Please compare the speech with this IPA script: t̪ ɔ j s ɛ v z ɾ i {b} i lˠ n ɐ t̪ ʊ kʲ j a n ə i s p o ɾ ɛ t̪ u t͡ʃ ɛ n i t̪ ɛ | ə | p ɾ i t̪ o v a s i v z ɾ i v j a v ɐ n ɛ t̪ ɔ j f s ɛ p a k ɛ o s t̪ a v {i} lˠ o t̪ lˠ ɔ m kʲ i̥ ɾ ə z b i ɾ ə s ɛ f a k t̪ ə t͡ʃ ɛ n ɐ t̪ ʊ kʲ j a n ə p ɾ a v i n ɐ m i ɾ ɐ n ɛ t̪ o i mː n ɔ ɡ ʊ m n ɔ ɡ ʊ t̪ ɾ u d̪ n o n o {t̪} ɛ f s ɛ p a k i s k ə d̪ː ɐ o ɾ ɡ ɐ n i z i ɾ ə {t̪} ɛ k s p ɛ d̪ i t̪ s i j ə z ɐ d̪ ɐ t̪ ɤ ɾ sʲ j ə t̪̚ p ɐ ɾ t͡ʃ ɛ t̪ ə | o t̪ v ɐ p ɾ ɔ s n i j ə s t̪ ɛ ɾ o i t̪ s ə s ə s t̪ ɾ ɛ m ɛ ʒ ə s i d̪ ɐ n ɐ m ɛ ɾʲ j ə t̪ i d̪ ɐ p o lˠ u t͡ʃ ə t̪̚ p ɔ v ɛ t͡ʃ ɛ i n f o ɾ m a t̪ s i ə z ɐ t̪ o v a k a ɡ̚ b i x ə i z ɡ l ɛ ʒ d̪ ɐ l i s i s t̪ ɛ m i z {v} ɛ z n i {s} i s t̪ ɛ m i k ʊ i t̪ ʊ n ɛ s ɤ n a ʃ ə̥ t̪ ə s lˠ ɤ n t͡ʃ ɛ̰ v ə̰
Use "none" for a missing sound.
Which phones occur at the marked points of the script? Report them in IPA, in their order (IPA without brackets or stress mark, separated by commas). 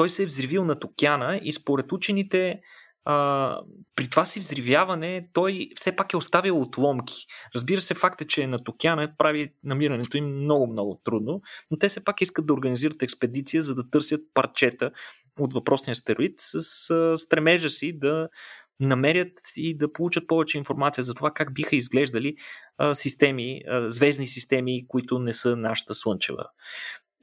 v, i, t̪, t̪, v, s